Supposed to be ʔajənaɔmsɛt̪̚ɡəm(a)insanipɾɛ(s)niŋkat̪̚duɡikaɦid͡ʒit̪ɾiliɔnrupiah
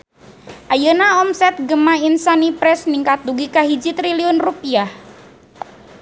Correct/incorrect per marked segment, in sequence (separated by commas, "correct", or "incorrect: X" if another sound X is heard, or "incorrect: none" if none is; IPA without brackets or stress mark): correct, correct